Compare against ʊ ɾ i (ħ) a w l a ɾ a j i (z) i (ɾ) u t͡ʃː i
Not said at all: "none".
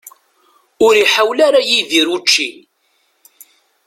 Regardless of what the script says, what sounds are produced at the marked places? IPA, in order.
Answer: ħ, ð, ɾ

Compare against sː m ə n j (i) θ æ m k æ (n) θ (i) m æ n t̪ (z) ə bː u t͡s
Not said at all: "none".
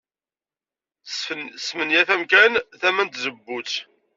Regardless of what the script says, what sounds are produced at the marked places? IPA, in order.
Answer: æ, n, æ, z

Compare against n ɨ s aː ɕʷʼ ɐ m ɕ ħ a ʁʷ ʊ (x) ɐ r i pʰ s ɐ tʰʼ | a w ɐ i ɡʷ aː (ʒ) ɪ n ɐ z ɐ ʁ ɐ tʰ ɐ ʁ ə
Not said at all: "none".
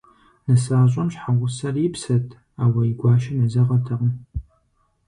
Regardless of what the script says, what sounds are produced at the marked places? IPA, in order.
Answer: s, ʃ

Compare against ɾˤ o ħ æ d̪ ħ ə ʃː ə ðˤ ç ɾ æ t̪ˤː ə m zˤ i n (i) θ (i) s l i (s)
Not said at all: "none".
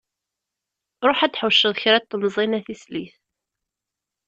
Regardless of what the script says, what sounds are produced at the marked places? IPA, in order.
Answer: æ, i, θ

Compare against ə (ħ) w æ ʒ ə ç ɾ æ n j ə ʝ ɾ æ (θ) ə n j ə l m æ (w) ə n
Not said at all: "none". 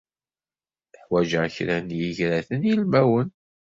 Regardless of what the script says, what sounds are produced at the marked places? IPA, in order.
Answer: ħ, θ, w

